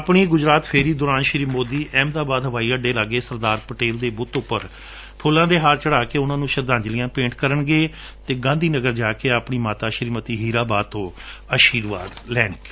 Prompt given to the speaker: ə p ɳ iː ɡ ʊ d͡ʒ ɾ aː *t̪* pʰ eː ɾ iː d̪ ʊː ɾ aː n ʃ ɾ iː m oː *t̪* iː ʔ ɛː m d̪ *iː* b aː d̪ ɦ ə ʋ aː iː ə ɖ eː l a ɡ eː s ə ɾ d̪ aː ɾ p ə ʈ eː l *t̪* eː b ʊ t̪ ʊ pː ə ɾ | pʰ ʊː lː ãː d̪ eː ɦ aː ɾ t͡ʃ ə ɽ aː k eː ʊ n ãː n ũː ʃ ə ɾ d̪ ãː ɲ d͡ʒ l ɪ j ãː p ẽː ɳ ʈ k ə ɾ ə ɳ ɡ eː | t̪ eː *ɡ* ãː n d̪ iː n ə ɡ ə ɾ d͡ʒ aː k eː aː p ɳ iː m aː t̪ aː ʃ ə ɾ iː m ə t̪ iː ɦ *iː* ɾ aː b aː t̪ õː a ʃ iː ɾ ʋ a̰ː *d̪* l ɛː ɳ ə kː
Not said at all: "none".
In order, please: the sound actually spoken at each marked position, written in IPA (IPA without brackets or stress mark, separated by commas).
t̪, d̪, aː, d̪, ɡ, iː, d̪